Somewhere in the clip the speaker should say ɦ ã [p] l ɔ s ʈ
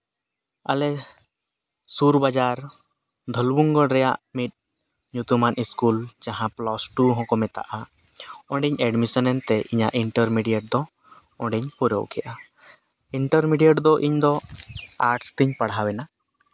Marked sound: correct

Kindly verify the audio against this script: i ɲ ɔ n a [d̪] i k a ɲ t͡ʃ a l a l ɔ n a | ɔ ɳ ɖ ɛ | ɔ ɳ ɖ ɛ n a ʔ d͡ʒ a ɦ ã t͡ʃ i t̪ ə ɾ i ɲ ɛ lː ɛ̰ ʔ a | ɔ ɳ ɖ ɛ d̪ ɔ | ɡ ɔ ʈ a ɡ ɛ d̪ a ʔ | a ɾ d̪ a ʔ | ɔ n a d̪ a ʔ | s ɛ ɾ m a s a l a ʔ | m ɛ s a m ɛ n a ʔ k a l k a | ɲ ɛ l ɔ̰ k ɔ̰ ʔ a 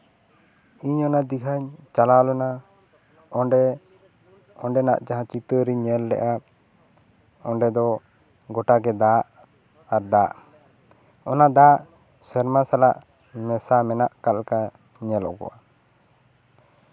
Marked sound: correct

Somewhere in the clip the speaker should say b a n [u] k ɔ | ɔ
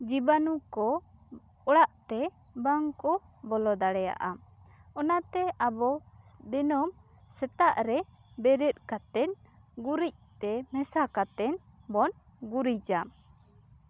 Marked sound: correct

